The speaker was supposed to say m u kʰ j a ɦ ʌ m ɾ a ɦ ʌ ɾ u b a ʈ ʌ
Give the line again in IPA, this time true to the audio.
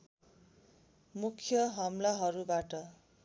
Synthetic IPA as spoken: m u kʰ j ʌ ɦ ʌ m l a ɦ ʌ ɾ u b a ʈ ʌ